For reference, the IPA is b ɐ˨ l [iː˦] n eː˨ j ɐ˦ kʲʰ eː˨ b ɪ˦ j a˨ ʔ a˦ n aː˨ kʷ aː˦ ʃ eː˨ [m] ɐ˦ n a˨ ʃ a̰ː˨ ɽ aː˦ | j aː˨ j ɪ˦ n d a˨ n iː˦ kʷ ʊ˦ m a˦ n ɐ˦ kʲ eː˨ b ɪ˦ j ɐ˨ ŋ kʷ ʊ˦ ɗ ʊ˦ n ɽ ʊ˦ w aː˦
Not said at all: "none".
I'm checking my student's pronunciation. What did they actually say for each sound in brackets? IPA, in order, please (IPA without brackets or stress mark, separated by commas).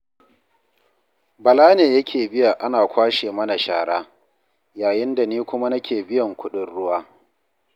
aː˦, m